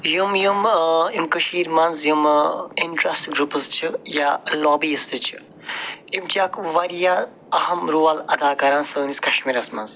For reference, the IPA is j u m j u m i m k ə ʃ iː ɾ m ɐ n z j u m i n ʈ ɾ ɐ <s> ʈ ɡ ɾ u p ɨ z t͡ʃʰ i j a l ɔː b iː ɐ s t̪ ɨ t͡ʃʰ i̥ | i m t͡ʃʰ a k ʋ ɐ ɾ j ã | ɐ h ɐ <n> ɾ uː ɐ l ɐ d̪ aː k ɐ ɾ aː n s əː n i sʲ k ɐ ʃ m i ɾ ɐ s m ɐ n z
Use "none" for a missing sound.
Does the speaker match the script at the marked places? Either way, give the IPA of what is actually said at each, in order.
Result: s, m

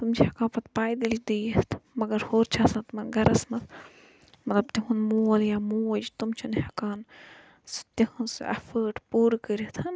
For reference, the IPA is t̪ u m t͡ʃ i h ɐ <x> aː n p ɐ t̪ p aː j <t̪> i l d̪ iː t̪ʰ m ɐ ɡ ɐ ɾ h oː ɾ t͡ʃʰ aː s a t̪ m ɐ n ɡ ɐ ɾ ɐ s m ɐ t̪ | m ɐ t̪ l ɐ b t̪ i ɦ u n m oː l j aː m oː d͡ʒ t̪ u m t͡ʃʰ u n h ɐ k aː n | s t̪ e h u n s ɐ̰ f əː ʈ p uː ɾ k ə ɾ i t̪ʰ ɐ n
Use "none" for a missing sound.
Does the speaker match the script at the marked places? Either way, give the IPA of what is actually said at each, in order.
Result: k, d̪

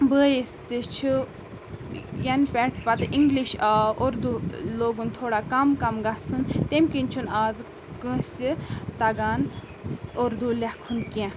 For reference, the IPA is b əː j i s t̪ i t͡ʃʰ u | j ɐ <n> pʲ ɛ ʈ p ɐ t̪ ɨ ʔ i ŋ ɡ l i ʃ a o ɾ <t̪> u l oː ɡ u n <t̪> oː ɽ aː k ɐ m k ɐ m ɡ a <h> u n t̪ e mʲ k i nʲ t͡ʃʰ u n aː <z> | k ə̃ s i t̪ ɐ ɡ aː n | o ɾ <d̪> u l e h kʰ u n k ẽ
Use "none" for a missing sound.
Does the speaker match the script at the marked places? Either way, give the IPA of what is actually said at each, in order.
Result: n, d̪, t̪ʰ, s, z, d̪

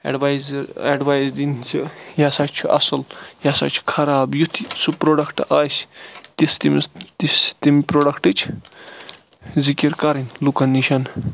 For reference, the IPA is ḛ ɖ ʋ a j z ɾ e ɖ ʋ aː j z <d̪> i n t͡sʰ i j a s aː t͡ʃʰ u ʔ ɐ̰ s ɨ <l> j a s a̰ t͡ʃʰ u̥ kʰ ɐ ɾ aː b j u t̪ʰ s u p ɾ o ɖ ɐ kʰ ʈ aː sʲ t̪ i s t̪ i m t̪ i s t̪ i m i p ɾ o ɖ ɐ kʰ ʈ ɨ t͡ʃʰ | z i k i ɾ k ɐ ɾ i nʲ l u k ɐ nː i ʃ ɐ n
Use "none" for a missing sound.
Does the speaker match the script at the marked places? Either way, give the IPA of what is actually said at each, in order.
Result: d̪, l

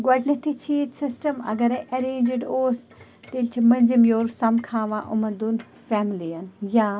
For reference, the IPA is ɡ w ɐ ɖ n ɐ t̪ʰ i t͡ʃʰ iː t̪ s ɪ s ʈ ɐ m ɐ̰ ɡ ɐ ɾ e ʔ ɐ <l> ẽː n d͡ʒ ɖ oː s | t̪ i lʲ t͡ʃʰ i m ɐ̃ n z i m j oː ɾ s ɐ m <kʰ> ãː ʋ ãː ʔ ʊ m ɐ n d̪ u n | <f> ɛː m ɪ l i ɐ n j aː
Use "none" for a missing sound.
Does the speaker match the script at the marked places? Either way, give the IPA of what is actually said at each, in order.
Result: ɾ, kʰ, f

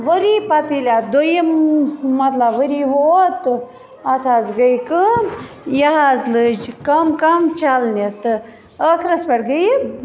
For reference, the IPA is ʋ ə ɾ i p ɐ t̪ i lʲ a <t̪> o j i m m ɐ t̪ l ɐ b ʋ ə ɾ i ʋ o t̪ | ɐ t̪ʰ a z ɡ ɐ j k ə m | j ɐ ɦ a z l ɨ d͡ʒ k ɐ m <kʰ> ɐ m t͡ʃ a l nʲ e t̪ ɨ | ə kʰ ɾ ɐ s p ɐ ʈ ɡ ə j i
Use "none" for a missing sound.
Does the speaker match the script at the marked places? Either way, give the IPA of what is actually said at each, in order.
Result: d̪, k

